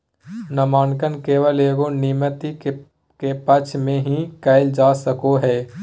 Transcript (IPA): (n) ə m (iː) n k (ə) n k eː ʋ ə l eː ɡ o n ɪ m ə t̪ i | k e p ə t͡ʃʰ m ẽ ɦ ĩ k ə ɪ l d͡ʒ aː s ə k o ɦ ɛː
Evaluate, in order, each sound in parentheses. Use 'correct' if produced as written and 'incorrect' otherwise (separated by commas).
correct, incorrect, correct